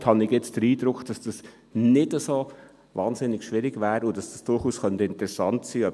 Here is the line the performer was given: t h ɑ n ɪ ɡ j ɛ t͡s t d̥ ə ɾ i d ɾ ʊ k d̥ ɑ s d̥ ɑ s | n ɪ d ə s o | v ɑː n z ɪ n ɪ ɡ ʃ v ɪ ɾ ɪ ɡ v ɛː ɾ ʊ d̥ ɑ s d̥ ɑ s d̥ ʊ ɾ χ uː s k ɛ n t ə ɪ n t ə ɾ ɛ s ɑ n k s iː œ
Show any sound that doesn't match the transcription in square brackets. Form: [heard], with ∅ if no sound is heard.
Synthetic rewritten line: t h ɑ n ɪ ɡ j ɛ t͡s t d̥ ə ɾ [iː] d ɾ ʊ k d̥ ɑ s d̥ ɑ s | n ɪ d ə s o | v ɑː n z ɪ n ɪ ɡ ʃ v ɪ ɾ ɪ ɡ v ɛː ɾ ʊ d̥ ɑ s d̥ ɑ s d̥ ʊ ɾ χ uː s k [œ] n t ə ɪ n t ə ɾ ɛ s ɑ n [t] s iː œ